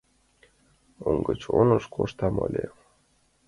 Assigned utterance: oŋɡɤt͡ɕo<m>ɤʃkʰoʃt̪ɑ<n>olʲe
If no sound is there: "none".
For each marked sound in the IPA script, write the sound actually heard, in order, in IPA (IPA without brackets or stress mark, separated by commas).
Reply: n, m